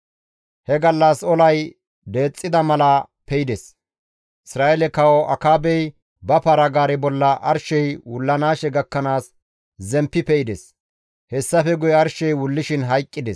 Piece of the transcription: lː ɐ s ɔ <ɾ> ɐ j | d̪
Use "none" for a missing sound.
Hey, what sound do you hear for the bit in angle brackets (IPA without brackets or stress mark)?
l